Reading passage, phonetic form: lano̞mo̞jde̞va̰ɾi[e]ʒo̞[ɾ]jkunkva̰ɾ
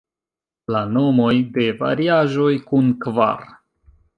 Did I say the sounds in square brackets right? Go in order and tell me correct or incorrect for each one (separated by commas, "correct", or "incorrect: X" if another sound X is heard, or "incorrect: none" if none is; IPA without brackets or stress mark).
incorrect: a, incorrect: none